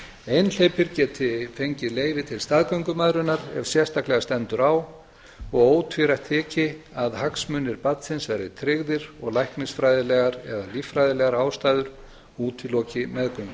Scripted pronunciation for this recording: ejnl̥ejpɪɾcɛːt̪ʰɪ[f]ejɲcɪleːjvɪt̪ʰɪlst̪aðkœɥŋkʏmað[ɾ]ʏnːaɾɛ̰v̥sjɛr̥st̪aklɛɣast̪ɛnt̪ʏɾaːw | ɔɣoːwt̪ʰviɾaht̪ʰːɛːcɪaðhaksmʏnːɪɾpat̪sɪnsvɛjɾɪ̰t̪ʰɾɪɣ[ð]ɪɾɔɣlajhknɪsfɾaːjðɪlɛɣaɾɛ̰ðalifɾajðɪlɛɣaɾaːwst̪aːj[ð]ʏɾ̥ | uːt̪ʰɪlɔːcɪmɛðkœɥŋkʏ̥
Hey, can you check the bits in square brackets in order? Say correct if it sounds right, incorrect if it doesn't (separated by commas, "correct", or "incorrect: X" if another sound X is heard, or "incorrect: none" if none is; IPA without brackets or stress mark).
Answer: correct, correct, correct, correct